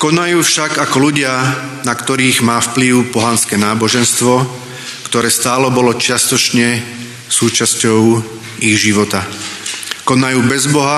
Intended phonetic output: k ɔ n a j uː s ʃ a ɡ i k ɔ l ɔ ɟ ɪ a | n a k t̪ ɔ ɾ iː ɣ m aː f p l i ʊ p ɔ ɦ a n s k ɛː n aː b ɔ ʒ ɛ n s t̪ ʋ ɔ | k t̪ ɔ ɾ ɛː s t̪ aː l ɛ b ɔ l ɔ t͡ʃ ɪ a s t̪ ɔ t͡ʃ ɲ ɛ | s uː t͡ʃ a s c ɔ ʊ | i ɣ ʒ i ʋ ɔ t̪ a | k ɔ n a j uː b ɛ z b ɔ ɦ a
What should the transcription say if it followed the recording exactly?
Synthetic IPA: k ɔ n a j uː f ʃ a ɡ a k ɔ l u ɟ ɪ a | n a k t̪ ɔ ɾ iː ɣ m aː f p l i ʊ p ɔ ɦ a n s k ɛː n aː b ɔ ʒ ɛ n s t̪ ʋ ɔ | k t̪ ɔ ɾ ɛː s t̪ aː l ɛ b ɔ l ɔ t͡ʃ ɪ a s t̪ ɔ t͡ʃ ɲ ɛ | s uː t͡ʃ a s c ɔ ʊ | i ɣ ʒ i ʋ ɔ t̪ a | k ɔ n a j uː b ɛ z b ɔ ɦ a